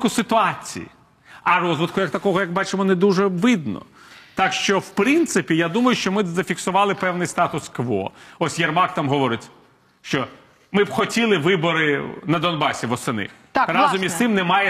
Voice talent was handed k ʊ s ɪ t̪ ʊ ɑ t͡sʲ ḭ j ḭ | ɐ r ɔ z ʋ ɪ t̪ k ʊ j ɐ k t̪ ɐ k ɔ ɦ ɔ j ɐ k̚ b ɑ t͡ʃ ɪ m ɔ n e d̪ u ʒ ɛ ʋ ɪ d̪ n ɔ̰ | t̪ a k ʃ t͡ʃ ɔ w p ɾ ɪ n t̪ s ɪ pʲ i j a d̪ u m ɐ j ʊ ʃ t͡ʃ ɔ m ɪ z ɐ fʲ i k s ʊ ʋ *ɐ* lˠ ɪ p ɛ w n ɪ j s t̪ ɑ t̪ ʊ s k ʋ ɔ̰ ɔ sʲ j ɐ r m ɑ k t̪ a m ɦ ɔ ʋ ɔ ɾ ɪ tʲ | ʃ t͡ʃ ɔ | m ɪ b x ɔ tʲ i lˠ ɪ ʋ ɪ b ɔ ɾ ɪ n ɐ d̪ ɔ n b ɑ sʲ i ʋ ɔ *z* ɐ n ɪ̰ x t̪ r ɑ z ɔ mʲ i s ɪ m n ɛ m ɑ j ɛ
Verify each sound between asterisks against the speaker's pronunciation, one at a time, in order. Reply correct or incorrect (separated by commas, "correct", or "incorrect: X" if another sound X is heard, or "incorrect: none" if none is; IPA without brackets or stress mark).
incorrect: ɑ, incorrect: s